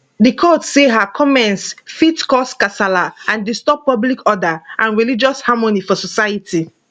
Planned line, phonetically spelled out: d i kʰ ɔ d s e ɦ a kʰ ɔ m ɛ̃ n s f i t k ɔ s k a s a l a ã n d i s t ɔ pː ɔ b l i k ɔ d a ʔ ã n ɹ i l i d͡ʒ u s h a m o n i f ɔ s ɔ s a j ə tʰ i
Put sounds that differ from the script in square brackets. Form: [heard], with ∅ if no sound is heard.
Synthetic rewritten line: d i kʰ ɔ [t] s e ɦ a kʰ ɔ m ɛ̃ n s f i t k ɔ s k a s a l a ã n d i s t ɔ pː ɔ b l i k ɔ d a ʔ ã n ɹ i l i d͡ʒ [ɔ] s h a m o n i f ɔ s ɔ s a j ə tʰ i